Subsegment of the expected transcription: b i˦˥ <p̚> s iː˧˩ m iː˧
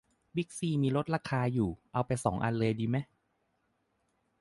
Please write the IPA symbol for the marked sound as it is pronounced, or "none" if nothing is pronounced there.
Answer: k̚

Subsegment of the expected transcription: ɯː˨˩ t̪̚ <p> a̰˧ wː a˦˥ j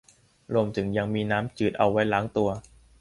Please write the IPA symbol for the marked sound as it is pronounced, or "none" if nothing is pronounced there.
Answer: ʔ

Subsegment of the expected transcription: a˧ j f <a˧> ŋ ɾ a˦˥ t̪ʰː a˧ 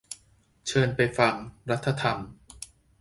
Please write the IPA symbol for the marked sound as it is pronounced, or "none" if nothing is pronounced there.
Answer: a˧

